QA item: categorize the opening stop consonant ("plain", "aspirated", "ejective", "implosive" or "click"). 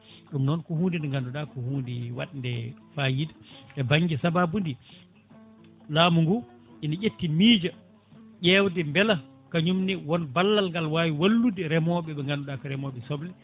implosive